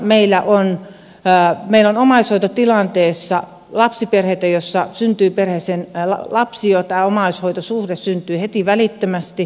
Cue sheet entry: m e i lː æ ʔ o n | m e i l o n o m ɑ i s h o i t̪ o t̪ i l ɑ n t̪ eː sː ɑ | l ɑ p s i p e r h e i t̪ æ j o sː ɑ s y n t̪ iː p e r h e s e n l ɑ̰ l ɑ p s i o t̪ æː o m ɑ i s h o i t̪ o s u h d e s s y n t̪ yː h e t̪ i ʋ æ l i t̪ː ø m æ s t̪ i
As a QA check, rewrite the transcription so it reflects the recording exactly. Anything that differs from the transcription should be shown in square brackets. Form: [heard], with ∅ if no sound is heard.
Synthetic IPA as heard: m e i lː æ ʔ o n | m e i l o n o m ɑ i s h o i t̪ o t̪ i l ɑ n t̪ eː sː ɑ | l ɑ p s i p e r h e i t̪ æ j o sː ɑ s y n t̪ [yː] p e r h e s e n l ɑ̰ l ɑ p s i o t̪ æː o m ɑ i s h o i t̪ o s u h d e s s y n t̪ yː h e t̪ i ʋ æ l i t̪ː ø m æ s t̪ i